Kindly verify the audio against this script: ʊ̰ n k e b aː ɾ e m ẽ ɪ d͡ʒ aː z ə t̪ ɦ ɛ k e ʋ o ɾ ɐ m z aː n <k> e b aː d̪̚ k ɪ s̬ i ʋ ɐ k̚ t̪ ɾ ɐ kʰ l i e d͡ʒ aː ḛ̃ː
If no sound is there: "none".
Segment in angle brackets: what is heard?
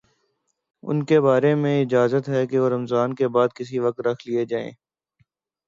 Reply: k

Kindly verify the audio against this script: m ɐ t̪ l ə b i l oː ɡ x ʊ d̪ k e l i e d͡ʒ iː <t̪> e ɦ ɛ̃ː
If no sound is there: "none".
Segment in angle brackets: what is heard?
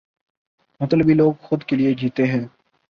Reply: t̪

